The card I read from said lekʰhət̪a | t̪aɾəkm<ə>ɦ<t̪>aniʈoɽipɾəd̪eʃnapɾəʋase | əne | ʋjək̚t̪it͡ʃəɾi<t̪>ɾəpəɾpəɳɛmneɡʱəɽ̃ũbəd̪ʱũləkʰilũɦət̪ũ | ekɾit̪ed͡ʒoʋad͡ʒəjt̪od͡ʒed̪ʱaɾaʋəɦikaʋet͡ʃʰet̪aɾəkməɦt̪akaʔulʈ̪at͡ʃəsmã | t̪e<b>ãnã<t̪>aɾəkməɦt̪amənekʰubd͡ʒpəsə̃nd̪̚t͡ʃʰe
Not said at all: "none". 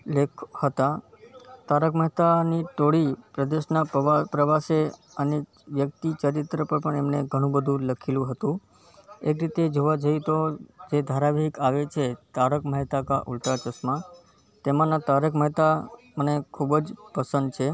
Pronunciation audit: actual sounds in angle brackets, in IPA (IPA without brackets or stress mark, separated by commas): ə, t̪, t̪, m, t̪